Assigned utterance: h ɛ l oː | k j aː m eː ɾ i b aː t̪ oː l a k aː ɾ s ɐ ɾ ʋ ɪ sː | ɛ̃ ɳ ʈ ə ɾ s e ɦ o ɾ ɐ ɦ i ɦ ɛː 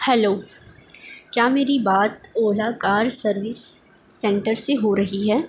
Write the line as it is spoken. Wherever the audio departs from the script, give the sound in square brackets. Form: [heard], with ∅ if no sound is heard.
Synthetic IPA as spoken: h ɛ l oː | k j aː m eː ɾ i b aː t̪ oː l a k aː ɾ s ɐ ɾ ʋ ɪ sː | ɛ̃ ɳ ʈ ə ɾ s e ɦ o ɾ ɐ ɦ i ɦ ɛː